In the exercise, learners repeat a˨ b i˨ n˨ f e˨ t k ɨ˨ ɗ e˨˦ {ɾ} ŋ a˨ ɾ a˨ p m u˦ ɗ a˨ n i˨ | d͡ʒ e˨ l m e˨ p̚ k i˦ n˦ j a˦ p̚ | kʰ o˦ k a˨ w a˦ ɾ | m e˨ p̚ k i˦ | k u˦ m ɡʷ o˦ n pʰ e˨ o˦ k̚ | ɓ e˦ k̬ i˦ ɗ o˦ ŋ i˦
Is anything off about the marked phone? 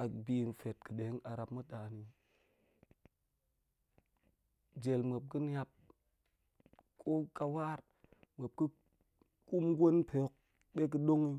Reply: yes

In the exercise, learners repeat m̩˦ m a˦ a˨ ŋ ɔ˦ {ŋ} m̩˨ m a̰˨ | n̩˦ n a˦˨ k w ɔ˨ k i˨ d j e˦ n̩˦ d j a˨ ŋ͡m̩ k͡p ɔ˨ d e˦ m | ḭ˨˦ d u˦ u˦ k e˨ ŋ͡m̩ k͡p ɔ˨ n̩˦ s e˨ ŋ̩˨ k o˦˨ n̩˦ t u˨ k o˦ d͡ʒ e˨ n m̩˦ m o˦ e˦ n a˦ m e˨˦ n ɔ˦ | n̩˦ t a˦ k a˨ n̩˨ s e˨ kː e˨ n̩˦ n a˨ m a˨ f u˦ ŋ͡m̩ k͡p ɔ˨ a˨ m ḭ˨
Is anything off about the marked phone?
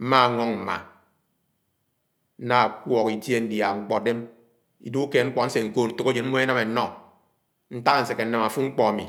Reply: no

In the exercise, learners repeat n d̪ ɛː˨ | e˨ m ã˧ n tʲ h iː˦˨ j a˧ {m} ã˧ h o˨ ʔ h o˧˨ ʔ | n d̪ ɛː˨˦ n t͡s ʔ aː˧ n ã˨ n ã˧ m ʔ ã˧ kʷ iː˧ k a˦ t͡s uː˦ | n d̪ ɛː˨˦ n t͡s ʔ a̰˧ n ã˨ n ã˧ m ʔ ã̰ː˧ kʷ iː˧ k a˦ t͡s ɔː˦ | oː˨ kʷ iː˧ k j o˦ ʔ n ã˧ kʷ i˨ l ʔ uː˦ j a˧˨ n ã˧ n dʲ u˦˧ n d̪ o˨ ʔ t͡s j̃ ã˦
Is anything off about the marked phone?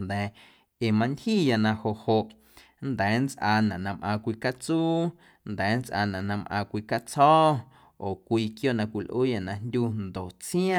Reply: yes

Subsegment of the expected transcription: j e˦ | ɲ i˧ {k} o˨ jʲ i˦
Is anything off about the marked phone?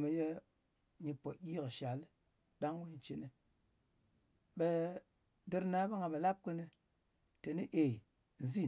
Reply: yes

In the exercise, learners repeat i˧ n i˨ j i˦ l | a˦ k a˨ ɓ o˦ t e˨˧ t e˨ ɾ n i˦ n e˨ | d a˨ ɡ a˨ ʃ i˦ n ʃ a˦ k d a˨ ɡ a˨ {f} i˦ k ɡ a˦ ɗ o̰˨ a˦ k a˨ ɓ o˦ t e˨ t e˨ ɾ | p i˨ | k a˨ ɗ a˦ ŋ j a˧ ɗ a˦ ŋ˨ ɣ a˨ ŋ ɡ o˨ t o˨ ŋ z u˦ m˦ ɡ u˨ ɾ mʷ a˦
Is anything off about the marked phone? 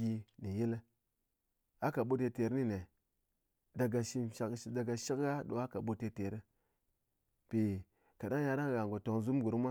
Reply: yes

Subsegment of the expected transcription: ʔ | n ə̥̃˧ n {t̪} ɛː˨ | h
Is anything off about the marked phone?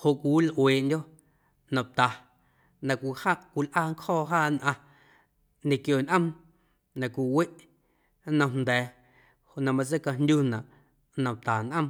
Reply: yes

